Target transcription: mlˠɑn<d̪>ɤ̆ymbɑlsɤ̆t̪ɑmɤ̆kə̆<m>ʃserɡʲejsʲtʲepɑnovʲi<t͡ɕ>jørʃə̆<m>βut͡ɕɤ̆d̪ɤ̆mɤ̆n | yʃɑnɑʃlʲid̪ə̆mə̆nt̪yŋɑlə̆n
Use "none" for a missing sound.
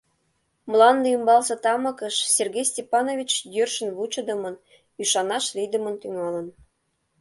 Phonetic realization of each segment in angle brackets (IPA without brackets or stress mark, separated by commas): d̪, none, t͡ɕ, n